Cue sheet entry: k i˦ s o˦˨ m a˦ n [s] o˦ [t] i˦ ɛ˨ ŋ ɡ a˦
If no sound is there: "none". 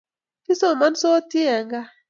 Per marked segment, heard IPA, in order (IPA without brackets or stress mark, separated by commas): s, t